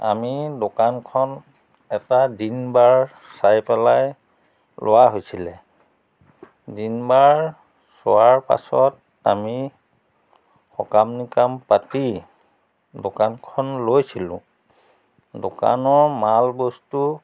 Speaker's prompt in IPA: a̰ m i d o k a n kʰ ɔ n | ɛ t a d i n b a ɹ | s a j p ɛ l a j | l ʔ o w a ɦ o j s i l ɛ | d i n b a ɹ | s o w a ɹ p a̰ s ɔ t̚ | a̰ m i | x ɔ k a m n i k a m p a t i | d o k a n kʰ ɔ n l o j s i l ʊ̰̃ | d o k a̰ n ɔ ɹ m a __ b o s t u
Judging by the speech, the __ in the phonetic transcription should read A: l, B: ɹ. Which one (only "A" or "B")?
A